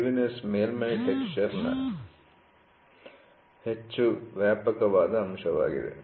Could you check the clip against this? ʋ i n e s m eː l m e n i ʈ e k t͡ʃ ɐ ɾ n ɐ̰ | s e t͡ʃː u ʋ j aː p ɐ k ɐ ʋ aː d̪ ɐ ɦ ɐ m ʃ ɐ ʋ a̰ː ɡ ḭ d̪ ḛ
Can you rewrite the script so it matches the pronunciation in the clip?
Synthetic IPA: ʋ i n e s m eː l m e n i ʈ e k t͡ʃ ɐ ɾ n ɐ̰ | h e t͡ʃː u ʋ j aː p ɐ k ɐ ʋ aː d̪ ɐ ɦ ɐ m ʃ ɐ ʋ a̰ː ɡ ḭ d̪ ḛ

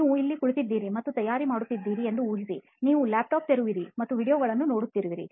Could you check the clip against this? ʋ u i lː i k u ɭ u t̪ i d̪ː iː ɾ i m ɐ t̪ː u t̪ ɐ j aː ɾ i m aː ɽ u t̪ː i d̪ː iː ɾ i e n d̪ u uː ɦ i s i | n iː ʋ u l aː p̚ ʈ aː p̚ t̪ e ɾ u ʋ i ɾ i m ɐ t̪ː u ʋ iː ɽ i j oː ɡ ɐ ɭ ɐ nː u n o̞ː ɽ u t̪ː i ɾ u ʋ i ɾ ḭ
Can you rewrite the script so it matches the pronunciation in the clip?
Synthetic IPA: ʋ u i lː i k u ɭ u t̪ i d̪ː iː ɾ i m ɐ t̪ː u t̪ ɐ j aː ɾ i m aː ɽ u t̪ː i d̪ː iː ɾ i e n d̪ u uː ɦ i s i | n iː ʋ u l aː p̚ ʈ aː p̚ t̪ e ɾ u ʋ i ɾ i m ɐ t̪ː u ʋ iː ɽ i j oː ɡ ɐ ɭ ɐ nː u n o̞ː ɽ u t̪ː i ɾ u ʋ i ɾ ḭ

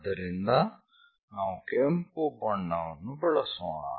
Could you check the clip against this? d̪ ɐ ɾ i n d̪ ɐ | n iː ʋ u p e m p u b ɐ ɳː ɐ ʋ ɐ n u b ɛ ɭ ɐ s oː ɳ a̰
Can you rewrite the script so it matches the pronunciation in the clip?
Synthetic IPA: d̪ ɐ ɾ i n d̪ ɐ | n aː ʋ u k e m p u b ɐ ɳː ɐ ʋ ɐ n u b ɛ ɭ ɐ s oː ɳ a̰

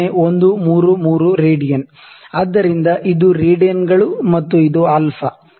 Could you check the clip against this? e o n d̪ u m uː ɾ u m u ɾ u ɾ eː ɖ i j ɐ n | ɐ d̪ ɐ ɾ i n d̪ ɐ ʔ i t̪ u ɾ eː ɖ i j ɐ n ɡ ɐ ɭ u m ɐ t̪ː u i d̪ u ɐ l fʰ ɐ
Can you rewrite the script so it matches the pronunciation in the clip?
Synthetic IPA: e o n d̪ u m uː ɾ u m uː ɾ u ɾ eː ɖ i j ɐ n | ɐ d̪ː ɐ ɾ i n d̪ ɐ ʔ i d̪ u ɾ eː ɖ i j ɐ n ɡ ɐ ɭ u m ɐ t̪ː u i d̪ u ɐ l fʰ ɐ

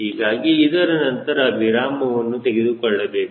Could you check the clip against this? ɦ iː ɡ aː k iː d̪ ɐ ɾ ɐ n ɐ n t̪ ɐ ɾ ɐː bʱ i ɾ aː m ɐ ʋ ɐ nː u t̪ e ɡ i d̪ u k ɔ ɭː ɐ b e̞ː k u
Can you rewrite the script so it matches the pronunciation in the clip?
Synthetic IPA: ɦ iː ɡ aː ɡ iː d̪ ɐ ɾ ɐ n ɐ n t̪ ɐ ɾ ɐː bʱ i ɾ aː m ɐ ʋ ɐ nː u t̪ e ɡ e d̪ u k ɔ ɭː ɐ b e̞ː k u

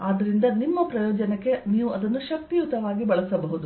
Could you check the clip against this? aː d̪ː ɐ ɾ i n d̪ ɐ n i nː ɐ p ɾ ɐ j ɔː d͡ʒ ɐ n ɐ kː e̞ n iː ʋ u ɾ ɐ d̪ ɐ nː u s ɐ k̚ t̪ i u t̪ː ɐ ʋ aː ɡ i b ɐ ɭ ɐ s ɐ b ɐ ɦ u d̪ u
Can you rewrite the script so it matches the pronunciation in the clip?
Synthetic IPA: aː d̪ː ɐ ɾ i n d̪ ɐ n i mː ɐ p ɾ ɐ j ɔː d͡ʒ ɐ n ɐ kː e̞ n iː ʋ u ɐ d̪ ɐ nː u ʃ ɐ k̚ t̪ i u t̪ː ɐ ʋ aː ɡ i b ɐ ɭ ɐ s ɐ b ɐ ɦ u d̪ u

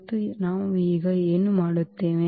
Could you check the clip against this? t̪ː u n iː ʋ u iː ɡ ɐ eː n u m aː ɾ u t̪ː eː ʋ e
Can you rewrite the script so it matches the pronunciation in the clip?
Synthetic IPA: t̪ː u n aː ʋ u iː ɡ ɐ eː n u m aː ɽ u t̪ː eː ʋ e

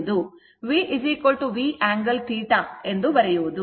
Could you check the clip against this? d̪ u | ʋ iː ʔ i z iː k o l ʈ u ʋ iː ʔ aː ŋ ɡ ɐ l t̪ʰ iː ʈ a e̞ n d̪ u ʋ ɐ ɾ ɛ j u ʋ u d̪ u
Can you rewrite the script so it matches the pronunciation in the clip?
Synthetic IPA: d̪ u | ʋ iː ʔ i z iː k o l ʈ u ʋ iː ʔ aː ŋ ɡ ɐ l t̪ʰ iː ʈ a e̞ n d̪ u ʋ ɐ ɾ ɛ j u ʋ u d̪ u

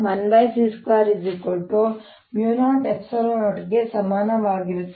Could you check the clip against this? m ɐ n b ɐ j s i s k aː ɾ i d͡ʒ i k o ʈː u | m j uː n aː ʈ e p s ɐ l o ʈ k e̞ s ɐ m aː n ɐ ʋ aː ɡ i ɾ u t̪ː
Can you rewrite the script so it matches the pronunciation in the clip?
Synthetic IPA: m ɐ n b ɐ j s i s k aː ɾ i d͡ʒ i k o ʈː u | m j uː n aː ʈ e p s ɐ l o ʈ ɡ e̞ s ɐ m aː n ɐ ʋ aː ɡ i ɾ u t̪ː

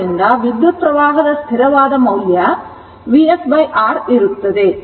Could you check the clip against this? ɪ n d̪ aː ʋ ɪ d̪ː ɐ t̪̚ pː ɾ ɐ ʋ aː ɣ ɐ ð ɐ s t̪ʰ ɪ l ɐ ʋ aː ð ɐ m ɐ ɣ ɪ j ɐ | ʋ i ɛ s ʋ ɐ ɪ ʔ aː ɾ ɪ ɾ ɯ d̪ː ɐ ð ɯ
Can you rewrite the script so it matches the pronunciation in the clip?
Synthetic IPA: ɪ n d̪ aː ʋ ɪ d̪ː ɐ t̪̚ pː ɾ ɐ ʋ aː ɣ ɐ ð ɐ s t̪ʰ ɪ ɾ ɐ ʋ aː ð ɐ m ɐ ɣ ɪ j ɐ | ʋ i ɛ s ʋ ɐ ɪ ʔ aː ɾ ɪ ɾ ɯ t̪ː ɐ ð ɯ

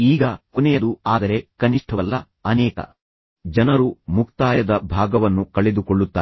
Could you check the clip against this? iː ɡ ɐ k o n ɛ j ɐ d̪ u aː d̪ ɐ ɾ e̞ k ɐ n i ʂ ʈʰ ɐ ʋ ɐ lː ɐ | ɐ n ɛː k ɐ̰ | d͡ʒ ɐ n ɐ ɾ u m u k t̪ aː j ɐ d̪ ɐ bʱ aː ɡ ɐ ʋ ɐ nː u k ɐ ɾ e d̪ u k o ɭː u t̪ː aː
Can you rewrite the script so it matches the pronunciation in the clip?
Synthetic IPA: iː ɡ ɐ k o n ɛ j ɐ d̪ u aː d̪ ɐ ɾ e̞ k ɐ n i ʂ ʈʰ ɐ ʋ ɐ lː ɐ | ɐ n ɛː k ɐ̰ | d͡ʒ ɐ n ɐ ɾ u m u k t̪ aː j ɐ d̪ ɐ bʱ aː ɡ ɐ ʋ ɐ nː u k ɐ ɭ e d̪ u k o ɭː u t̪ː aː

